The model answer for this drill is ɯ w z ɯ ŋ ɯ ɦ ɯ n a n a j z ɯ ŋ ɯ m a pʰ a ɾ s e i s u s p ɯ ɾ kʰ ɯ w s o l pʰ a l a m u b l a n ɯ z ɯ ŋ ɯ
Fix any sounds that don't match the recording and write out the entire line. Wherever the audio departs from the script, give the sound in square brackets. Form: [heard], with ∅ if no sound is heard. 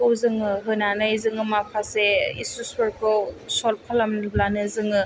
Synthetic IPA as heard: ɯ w z ɯ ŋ ɯ ɦ ɯ n a n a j z ɯ ŋ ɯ m a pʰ a [∅] s e i s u s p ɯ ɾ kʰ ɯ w s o l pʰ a l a m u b l a n ɯ z ɯ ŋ ɯ